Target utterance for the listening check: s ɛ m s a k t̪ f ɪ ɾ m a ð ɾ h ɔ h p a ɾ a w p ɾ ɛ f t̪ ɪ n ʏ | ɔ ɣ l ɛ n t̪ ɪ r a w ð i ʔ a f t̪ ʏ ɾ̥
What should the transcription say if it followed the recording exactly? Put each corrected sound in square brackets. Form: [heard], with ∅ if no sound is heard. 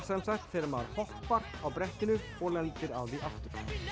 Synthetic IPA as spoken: s ɛ m s a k t̪ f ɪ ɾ m a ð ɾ h ɔ h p a ɾ a w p ɾ ɛ [h] t̪ ɪ n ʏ | ɔ ɣ l ɛ n t̪ ɪ [ɾ] a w ð i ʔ a f t̪ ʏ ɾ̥